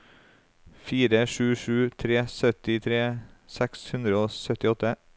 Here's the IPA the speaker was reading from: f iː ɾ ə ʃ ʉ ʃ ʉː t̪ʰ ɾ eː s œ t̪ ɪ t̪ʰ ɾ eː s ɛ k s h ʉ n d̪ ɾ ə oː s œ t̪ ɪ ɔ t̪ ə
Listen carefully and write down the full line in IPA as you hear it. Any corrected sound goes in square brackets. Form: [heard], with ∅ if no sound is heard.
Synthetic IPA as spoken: f iː ɾ ə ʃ [ʉː] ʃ ʉː t̪ʰ ɾ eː s œ t̪ ɪ t̪ʰ ɾ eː s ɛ k s h ʉ n d̪ ɾ ə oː s œ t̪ ɪ ɔ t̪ ə